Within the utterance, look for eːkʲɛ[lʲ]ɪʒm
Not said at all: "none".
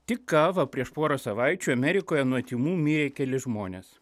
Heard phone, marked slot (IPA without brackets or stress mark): lʲ